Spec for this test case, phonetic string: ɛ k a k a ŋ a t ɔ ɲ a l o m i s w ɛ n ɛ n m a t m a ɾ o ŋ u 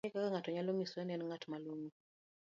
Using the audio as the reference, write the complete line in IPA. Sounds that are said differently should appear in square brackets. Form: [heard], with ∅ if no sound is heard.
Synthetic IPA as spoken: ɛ k a k a ŋ a t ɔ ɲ a l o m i s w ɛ n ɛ n [ŋ] a t m a [l] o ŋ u

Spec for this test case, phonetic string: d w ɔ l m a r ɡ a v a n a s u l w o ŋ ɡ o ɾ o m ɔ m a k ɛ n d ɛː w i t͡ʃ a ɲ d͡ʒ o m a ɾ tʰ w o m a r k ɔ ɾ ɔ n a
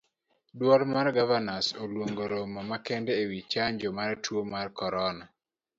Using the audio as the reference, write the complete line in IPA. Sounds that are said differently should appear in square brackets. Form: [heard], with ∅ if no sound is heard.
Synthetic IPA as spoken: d w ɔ l m a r ɡ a v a n a s [o] l w o ŋ ɡ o ɾ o m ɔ m a k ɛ n d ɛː w i t͡ʃ a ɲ d͡ʒ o m a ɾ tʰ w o m a r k ɔ ɾ ɔ n a

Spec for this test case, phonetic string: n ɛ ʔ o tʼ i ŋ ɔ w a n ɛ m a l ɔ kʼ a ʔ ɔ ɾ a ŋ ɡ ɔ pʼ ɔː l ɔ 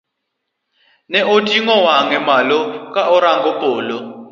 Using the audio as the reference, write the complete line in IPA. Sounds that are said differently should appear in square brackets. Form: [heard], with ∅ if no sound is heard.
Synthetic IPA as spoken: n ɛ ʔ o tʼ i ŋ ɔ w a [ŋ] ɛ m a l ɔ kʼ a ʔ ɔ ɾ a ŋ ɡ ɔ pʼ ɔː l ɔ

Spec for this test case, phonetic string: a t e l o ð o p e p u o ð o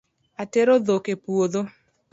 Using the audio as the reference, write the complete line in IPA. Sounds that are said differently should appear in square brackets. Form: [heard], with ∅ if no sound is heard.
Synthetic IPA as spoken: a t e [ɾ] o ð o [k] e p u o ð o

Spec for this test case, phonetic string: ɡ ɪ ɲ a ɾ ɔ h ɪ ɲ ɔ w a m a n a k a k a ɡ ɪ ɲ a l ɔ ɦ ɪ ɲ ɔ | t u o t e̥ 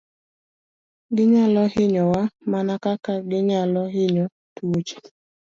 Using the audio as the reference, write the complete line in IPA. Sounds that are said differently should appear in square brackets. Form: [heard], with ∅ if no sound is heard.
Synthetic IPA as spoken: ɡ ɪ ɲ a [l] ɔ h ɪ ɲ ɔ w a m a n a k a k a ɡ ɪ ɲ a l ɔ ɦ ɪ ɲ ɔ | t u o [t͡ʃ] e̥

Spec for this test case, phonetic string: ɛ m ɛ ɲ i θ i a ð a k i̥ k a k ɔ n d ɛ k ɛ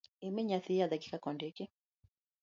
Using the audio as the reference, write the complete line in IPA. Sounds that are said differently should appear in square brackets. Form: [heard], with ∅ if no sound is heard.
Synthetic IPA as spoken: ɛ m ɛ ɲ [a] θ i a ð a k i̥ k a k ɔ n d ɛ k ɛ

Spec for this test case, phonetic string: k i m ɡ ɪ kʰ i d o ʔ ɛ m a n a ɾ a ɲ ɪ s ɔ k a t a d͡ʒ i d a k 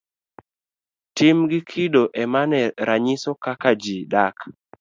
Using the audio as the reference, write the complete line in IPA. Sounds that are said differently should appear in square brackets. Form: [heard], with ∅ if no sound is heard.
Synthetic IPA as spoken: [t] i m ɡ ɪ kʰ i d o ʔ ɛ m a n [ɛ] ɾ a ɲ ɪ s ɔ k a [k] a d͡ʒ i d a k

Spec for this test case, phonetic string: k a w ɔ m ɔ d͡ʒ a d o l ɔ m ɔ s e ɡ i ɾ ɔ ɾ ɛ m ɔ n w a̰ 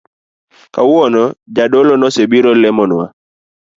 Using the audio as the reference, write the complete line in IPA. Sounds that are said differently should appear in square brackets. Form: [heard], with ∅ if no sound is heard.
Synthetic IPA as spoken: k a w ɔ [n] ɔ d͡ʒ a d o l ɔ [n] ɔ s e [b] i ɾ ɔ [l] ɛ m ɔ n w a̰

